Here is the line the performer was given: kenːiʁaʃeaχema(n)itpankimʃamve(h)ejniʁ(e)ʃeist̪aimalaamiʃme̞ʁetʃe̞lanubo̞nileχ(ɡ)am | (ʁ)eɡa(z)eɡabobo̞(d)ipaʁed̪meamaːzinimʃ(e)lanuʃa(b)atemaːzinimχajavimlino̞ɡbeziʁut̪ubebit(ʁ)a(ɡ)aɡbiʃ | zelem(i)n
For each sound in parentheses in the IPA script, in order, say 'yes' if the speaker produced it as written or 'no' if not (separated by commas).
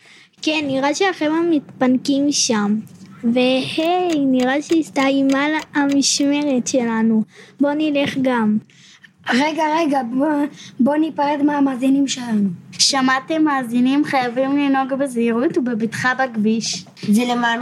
no, yes, no, yes, yes, no, no, yes, no, no, no, no